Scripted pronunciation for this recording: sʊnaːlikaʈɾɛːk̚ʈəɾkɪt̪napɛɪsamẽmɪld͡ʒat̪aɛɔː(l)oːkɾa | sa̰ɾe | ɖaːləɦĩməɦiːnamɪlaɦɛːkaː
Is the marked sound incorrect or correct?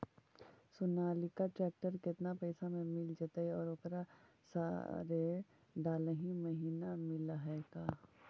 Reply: incorrect